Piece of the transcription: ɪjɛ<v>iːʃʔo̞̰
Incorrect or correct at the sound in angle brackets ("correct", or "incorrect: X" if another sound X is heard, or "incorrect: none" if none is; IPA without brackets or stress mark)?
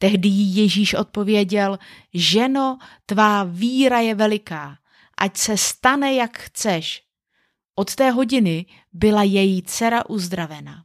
incorrect: ʒ